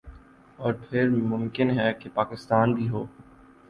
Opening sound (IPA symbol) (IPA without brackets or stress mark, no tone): ɔː